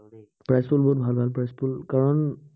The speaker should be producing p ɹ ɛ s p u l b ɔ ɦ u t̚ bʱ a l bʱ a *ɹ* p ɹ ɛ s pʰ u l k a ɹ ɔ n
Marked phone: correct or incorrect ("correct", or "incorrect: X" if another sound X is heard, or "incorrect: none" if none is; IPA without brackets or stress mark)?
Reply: incorrect: l